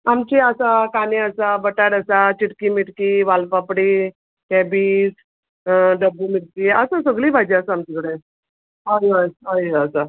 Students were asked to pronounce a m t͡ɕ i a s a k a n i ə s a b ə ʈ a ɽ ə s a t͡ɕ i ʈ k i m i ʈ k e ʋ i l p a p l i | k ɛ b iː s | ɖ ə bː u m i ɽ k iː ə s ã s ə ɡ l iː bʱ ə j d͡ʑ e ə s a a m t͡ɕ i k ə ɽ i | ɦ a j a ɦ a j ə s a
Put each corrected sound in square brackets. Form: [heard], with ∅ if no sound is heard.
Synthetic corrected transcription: a m t͡ɕ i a s a k a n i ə s a b ə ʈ a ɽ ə s a t͡ɕ i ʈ k i m i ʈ k [i] ʋ [a] l p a p [ɽ] i | k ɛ b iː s | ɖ ə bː u m i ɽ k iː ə s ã s ə ɡ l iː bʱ [a] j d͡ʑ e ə s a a m t͡ɕ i k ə ɽ [e] | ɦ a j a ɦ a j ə s a

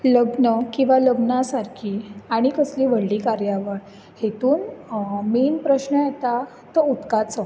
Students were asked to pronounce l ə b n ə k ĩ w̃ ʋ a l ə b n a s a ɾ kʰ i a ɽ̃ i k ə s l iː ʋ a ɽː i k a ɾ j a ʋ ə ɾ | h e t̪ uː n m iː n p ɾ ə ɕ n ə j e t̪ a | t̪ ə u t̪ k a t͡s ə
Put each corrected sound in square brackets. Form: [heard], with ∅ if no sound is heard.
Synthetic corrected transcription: l ə b n ə k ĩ w̃ ʋ a l ə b n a s a ɾ kʰ i a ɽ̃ i k ə s l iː ʋ [ə] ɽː i k a ɾ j a ʋ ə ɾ | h e t̪ uː n m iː n p ɾ ə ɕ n ə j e t̪ a | t̪ ə u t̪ k a t͡s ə

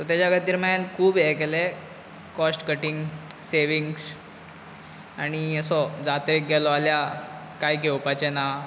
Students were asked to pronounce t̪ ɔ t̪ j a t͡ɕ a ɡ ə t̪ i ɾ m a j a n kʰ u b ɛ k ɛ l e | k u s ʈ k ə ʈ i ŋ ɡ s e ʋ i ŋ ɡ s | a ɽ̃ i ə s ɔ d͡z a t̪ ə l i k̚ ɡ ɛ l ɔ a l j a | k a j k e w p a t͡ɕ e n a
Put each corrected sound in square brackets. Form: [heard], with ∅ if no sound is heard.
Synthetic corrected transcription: t̪ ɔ t̪ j a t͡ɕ a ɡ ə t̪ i ɾ m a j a n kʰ [uː] b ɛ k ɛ l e | k [ɔ] s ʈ k ə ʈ i ŋ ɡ s e ʋ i ŋ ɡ s | a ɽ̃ i ə s ɔ d͡z a t̪ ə [ɾ] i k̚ ɡ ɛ l ɔ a l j a | k a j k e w p a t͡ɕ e n a

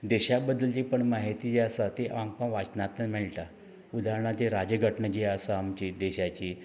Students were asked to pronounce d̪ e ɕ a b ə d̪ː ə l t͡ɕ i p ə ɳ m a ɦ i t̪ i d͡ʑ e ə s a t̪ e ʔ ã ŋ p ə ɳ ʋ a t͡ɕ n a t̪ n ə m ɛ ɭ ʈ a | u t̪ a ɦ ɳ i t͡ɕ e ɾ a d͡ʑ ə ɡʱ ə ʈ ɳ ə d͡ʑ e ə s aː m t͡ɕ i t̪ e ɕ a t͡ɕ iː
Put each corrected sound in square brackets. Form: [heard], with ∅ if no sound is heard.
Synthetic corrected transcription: d̪ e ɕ a b ə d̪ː ə l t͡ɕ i p ə ɳ m a ɦ i t̪ i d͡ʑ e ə s a t̪ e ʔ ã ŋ p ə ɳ ʋ a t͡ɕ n a t̪ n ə m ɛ ɭ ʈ a | u [d̪] a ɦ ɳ [a] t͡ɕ e ɾ a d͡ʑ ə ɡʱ ə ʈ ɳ ə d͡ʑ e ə s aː m t͡ɕ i [d̪] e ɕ a t͡ɕ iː

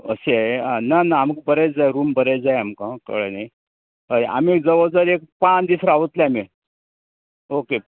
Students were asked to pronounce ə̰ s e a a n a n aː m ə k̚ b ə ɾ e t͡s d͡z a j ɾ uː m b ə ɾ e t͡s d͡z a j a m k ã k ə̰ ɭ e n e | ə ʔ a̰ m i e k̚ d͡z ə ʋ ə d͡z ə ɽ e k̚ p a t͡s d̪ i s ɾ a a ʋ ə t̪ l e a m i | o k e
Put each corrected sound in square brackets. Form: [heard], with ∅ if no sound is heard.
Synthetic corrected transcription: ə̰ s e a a n a n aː m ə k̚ b ə ɾ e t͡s d͡z a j ɾ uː m b ə ɾ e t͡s d͡z a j a m k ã k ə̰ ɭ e n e | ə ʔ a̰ m i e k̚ d͡z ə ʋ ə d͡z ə [ɾ] e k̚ p a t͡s d̪ i s ɾ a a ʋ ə t̪ l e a m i | o k e

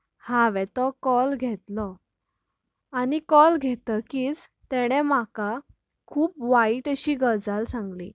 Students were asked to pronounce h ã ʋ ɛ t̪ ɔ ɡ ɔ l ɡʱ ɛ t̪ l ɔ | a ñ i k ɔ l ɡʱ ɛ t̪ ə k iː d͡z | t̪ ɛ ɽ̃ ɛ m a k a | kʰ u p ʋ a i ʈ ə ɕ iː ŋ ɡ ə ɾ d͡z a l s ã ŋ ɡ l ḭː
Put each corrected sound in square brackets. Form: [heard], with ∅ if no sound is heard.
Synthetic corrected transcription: h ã ʋ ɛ t̪ ɔ [k] ɔ l ɡʱ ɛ t̪ l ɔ | a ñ i k ɔ l ɡʱ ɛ t̪ ə k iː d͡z | t̪ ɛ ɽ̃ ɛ m a k a | kʰ [uː] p ʋ a i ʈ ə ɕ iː [∅] ɡ ə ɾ d͡z a l s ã ŋ ɡ l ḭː

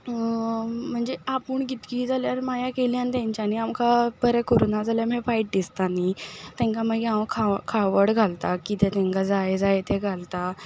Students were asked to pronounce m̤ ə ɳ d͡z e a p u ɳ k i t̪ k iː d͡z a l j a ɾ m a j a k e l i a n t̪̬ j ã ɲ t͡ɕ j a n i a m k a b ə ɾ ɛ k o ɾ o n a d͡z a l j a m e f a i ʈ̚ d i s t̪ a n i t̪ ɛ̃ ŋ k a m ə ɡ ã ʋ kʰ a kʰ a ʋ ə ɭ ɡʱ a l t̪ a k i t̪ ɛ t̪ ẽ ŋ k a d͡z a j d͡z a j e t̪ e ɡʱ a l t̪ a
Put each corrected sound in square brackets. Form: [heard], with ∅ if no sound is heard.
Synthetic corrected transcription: m̤ ə ɳ d͡z e a p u ɳ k i t̪ k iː d͡z a l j a ɾ m a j a k e l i a n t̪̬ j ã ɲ t͡ɕ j a n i a m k a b ə ɾ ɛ k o ɾ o n a d͡z a l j a m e f a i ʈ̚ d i s t̪ a n i t̪ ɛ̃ ŋ k a m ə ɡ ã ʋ kʰ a kʰ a ʋ ə [ɽ] ɡʱ a l t̪ a k i t̪ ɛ t̪ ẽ ŋ k a d͡z a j d͡z a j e t̪ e ɡʱ a l t̪ a

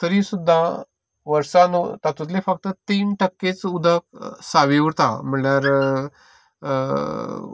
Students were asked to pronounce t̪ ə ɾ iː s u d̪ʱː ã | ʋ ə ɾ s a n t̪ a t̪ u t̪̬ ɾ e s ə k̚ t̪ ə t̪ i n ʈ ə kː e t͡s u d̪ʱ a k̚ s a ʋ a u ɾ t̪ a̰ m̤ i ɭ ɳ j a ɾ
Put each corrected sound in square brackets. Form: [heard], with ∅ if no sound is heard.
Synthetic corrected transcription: t̪ ə ɾ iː s u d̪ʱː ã | ʋ ə ɾ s a n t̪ a t̪ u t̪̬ [l] e [f] ə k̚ t̪ ə t̪ [iː] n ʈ ə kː e t͡s u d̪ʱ [ə] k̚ s a ʋ [i] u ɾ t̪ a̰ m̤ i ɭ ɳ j a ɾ

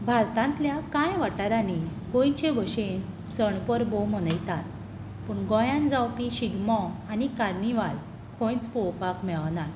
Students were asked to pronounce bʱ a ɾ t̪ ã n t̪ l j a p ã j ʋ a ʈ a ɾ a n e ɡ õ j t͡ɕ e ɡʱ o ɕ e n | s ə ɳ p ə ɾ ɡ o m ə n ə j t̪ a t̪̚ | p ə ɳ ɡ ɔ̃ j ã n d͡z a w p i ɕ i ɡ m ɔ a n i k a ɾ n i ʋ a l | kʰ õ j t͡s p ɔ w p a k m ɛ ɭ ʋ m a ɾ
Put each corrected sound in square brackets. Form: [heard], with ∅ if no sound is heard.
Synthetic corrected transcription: bʱ a ɾ t̪ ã n t̪ l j a [k] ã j ʋ a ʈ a ɾ a n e ɡ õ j t͡ɕ e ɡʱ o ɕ e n | s ə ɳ p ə ɾ [b] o m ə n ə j t̪ a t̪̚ | p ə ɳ ɡ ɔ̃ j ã n d͡z a w p i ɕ i ɡ m ɔ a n i k a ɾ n i ʋ a l | kʰ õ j t͡s p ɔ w p a k m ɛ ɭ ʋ [n] a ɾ

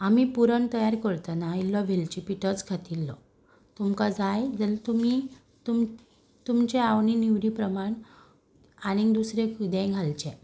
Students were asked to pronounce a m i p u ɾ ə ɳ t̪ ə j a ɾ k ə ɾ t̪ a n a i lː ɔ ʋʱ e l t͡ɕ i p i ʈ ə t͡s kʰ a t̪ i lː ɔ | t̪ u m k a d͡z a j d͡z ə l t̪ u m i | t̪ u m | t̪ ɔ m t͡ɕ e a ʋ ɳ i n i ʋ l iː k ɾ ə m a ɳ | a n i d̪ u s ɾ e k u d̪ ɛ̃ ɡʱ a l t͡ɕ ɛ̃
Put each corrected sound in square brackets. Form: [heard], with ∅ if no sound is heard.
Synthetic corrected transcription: a m i p u ɾ ə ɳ t̪ ə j a ɾ k ə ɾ t̪ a n a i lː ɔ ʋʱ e l t͡ɕ i p i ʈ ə t͡s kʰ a t̪ i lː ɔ | t̪ u m k a d͡z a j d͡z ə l t̪ u m i | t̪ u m | t̪ [u] m t͡ɕ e a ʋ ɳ i n i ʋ [ɾ] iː [p] ɾ ə m a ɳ | a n i d̪ u s ɾ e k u d̪ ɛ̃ ɡʱ a l t͡ɕ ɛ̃

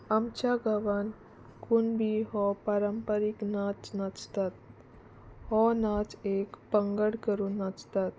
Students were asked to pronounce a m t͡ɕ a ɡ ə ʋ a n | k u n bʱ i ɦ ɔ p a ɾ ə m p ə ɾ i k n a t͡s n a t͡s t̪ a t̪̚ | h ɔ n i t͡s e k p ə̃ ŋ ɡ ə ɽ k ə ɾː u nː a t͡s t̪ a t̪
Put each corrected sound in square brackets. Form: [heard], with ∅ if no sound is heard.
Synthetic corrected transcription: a m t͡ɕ a ɡ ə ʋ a n | k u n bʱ i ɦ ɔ p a ɾ ə m p ə ɾ i k n a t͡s n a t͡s t̪ a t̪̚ | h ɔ n [a] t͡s e k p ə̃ ŋ ɡ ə ɽ k ə [ɾ] u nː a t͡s t̪ a t̪

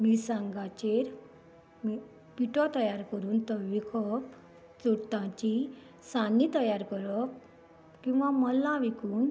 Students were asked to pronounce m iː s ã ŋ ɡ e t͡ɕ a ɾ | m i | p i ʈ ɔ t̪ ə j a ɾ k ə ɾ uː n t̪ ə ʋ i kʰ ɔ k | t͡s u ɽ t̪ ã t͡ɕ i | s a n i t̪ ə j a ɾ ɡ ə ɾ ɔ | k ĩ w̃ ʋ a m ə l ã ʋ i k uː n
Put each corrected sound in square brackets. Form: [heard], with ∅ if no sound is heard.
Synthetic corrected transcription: m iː s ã ŋ ɡ [a] t͡ɕ [e] ɾ | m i | p i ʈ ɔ t̪ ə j a ɾ k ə ɾ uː n t̪ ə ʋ i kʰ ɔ [p] | t͡s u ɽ t̪ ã t͡ɕ i | s a n i t̪ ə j a ɾ [k] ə ɾ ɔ | k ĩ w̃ ʋ a m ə l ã ʋ i k uː n

